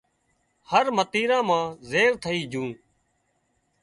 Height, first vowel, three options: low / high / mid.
mid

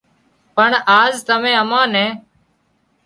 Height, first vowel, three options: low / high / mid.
mid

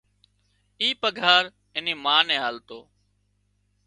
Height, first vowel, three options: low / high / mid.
high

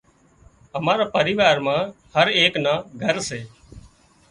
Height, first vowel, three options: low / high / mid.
mid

